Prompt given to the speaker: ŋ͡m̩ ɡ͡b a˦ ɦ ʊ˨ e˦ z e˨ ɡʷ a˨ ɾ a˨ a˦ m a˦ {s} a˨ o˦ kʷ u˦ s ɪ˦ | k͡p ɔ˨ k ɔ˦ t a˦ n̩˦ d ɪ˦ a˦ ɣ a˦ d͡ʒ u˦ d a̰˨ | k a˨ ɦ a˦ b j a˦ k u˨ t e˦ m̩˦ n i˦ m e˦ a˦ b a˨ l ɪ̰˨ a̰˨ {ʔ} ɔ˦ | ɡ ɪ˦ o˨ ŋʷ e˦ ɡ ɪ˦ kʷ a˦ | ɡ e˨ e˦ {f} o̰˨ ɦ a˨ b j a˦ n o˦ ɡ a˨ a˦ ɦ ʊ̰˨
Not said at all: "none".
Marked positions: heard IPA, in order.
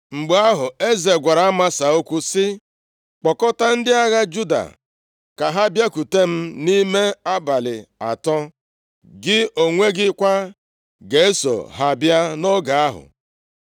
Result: s, t, s

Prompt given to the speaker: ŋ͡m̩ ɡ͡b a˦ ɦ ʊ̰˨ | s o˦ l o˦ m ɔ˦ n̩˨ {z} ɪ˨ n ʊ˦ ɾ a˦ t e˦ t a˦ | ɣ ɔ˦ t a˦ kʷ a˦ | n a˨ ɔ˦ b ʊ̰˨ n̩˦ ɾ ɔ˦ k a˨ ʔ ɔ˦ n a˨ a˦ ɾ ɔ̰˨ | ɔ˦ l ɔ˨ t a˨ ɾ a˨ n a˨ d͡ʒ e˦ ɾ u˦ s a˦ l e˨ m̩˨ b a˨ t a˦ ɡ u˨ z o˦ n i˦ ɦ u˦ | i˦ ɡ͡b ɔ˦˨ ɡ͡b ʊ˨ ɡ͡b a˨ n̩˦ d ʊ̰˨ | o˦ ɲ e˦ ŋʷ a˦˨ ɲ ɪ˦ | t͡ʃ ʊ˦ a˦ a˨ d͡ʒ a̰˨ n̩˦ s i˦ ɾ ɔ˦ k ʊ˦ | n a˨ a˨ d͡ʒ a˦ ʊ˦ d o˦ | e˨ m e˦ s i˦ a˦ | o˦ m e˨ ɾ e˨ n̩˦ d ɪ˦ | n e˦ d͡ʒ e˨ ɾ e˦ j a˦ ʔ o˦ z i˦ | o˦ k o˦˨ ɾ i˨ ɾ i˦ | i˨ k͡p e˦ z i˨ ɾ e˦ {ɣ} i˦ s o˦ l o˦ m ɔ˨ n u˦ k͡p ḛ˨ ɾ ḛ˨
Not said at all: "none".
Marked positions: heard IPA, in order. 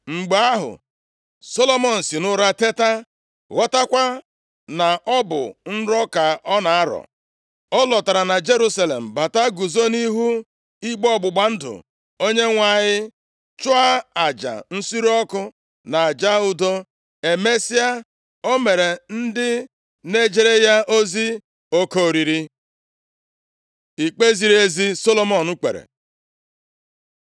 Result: s, z

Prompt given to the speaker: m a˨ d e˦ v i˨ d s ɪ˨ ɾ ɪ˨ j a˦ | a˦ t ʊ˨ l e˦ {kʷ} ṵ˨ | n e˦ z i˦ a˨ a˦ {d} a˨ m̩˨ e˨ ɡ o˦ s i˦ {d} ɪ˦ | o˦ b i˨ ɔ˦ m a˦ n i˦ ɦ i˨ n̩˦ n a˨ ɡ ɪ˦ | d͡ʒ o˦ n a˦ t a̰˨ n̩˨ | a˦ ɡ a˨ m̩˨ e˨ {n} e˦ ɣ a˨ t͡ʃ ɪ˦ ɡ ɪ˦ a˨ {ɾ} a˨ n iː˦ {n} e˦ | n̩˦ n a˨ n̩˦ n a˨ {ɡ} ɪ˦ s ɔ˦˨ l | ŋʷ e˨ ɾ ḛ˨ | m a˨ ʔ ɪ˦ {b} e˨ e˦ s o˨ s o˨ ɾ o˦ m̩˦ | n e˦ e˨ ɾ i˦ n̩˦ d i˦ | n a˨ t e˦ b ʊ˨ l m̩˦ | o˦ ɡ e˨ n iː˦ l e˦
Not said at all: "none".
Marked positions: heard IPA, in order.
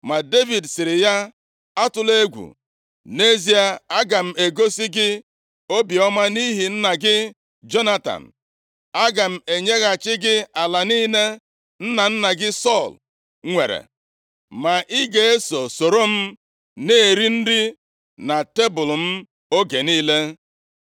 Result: ɡʷ, ɡ, ɡ, ɲ, l, n, ɡ, ɡ

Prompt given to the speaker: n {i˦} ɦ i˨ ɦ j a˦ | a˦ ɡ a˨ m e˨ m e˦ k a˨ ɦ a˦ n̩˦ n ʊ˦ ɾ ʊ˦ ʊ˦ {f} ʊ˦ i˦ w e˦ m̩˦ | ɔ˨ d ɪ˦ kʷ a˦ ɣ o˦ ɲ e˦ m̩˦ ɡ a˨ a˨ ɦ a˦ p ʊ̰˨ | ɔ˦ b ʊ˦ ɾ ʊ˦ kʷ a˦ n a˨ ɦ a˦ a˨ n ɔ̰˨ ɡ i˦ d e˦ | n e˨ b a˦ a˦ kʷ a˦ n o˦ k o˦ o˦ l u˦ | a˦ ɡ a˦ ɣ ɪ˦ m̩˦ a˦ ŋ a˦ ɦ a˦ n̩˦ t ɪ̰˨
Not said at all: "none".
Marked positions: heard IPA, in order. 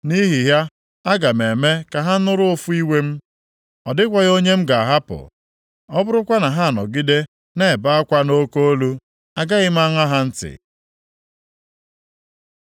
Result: i˦, f

